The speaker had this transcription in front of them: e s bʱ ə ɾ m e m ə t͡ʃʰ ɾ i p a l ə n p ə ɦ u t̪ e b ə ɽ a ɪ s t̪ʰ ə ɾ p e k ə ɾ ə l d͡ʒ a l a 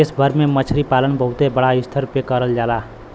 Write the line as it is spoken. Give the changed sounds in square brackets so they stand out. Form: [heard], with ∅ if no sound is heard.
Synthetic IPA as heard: e s bʱ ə ɾ m e m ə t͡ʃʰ ɾ i p a l ə n [b] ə ɦ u t̪ e b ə ɽ a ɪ s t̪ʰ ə ɾ p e k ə ɾ ə l d͡ʒ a l a

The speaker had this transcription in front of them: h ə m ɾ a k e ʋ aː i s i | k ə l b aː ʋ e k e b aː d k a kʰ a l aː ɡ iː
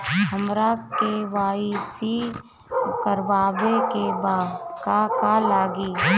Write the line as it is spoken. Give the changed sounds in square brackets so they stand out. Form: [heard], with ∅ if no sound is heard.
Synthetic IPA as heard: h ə m ɾ a k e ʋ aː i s i | k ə [ɾ] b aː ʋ e k e b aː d k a [k] a l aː ɡ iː

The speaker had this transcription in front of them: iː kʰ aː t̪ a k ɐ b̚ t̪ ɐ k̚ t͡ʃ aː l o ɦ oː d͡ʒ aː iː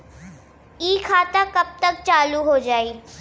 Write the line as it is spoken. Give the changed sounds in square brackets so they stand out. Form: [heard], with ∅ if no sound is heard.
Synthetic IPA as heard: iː kʰ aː t̪ a k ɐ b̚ t̪ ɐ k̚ t͡ʃ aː l [u] ɦ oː d͡ʒ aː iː

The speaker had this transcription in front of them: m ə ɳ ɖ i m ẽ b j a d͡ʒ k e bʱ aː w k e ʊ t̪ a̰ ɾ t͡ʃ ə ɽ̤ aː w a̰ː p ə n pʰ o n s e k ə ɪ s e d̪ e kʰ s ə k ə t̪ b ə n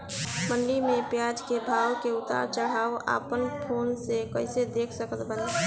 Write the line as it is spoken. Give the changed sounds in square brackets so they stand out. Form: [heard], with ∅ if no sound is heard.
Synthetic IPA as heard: m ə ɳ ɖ i m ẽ [p] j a d͡ʒ k e bʱ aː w k e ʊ t̪ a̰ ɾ t͡ʃ ə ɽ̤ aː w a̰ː p ə n pʰ o n s e k ə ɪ s e d̪ e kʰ s ə k ə t̪ b ə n

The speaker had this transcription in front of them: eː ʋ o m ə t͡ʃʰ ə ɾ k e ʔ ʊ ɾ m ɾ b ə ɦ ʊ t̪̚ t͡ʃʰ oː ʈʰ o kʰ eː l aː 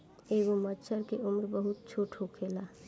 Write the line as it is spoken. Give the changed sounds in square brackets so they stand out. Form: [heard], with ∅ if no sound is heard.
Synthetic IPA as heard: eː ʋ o m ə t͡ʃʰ ə ɾ k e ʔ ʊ [∅] m ɾ b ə ɦ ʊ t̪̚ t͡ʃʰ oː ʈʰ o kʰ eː l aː

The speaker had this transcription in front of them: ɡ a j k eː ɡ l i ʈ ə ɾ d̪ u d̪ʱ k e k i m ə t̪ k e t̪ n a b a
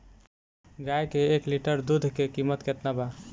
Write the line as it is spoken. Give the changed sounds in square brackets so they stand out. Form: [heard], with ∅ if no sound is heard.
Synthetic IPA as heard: ɡ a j k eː [k] l i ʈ ə ɾ d̪ u d̪ʱ k e k i m ə t̪ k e t̪ n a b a

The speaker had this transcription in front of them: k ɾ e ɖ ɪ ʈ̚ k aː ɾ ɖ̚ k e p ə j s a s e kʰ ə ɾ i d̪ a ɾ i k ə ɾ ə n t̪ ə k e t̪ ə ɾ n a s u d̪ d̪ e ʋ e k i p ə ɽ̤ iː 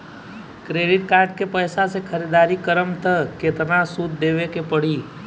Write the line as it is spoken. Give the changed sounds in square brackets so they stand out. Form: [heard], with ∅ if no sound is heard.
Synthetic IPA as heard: k ɾ e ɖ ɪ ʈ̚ k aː ɾ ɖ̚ k e p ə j s a s e kʰ ə ɾ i d̪ a ɾ i k ə ɾ ə [m] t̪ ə k e t̪ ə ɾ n a s u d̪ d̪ e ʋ e k [e] p ə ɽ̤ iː

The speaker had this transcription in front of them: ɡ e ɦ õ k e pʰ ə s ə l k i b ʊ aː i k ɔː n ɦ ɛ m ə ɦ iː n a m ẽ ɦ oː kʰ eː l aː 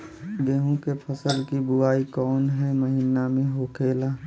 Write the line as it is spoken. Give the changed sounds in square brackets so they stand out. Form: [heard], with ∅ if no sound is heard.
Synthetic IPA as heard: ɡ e ɦ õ k e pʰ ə s ə l k i b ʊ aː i k ɔː n ɦ ɛ m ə ɦ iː n a m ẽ ɦ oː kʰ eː l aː

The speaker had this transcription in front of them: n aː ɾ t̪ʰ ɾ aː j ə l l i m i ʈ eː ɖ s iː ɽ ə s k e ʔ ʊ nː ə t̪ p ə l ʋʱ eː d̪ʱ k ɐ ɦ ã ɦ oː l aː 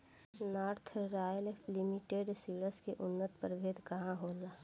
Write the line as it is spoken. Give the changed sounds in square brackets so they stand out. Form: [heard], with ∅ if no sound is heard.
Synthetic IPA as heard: n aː ɾ t̪ʰ ɾ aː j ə l l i m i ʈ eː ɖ s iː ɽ ə s k e ʔ ʊ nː ə t̪ p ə [ɾ] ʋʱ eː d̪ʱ k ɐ ɦ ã ɦ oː l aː

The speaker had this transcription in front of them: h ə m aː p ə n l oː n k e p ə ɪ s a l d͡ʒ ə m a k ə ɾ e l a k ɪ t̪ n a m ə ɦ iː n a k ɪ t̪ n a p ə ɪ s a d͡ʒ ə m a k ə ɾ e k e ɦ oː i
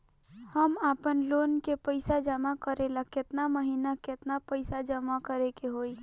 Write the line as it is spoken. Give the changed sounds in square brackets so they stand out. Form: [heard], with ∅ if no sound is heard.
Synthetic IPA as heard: h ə m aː p ə n l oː n k e p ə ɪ s a [∅] d͡ʒ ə m a k ə ɾ e l a k ɪ t̪ n a m ə ɦ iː n a k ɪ t̪ n a p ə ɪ s a d͡ʒ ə m a k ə ɾ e k e ɦ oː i

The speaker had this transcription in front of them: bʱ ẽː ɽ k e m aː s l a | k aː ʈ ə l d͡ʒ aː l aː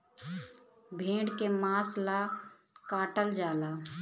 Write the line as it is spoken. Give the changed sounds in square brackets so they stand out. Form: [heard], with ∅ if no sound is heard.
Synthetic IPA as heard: bʱ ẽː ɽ k e m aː s l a | k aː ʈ ə l d͡ʒ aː l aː

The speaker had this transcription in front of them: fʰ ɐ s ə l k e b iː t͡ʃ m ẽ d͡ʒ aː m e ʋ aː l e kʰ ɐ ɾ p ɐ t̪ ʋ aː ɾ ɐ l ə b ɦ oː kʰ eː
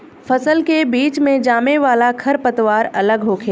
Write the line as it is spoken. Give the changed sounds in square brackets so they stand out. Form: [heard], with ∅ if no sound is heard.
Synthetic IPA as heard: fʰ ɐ s ə l k e b iː t͡ʃ m ẽ d͡ʒ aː m e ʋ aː l [a] kʰ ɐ ɾ p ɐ t̪ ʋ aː ɾ ɐ l ə [ɡ] ɦ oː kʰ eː

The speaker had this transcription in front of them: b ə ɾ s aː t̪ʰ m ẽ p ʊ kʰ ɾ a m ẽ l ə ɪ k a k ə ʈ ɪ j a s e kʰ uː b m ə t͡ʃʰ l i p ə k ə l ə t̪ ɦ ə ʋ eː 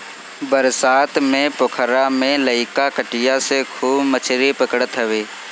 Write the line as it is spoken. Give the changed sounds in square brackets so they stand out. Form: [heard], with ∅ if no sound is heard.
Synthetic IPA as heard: b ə ɾ s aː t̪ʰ m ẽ p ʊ kʰ ɾ a m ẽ l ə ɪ k a k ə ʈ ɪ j a s e kʰ uː b m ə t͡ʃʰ [ɾ] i p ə k ə [ɽ] ə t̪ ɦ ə ʋ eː

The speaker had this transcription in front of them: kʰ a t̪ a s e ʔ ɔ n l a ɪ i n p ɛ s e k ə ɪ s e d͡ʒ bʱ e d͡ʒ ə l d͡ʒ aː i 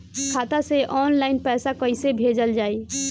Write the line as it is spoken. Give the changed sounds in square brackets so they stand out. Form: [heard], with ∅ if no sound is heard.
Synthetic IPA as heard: kʰ a t̪ a s e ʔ ɔ n l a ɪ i n p ɛ s [a] k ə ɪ s e [∅] bʱ e d͡ʒ ə l d͡ʒ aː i

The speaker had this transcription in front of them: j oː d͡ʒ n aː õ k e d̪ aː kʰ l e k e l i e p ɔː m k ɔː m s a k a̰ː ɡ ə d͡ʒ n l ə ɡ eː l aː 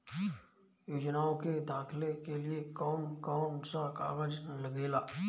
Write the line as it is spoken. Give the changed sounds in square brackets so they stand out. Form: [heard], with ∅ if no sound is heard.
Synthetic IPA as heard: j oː d͡ʒ n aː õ k e d̪ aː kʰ l e k e l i e [k] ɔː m k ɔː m s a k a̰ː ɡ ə d͡ʒ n l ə ɡ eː l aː

